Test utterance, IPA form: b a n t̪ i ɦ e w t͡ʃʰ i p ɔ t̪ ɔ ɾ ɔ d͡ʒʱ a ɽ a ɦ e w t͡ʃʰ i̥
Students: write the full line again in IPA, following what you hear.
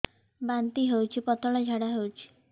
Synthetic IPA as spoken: b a n t̪ i ɦ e w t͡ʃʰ i p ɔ t̪ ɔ ɭ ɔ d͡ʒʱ a ɽ a ɦ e w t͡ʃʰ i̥